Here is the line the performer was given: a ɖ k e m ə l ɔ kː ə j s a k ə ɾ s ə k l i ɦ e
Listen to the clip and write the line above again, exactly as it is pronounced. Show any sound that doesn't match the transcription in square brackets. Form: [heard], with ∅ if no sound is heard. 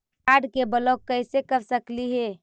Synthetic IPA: a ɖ k e [b] ə l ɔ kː ə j s [e] k ə ɾ s ə k l i ɦ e